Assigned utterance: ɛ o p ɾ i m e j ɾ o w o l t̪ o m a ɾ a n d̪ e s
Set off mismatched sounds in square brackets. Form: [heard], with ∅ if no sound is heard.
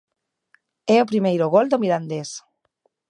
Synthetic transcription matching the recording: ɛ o p ɾ i m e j ɾ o [ɣ] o l [d̪] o m [i] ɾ a n d̪ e s